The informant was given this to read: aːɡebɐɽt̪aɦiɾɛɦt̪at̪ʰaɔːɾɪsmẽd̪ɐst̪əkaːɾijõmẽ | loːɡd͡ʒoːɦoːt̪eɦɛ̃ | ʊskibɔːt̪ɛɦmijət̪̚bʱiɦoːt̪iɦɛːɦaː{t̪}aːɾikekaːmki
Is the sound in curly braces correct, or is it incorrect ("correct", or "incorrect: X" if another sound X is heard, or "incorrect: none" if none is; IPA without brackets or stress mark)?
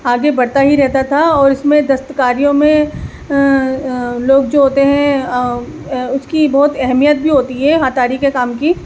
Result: correct